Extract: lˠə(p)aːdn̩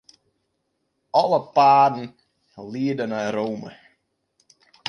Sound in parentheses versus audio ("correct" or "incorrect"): correct